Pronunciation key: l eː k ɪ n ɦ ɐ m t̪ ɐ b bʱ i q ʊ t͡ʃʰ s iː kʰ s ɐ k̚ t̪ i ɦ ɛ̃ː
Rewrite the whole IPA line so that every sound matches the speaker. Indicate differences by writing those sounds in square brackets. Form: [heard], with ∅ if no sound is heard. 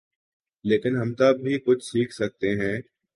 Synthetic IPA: l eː k ɪ n ɦ ɐ m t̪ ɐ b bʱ i [k] ʊ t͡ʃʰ s iː kʰ s ɐ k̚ t̪ [e] ɦ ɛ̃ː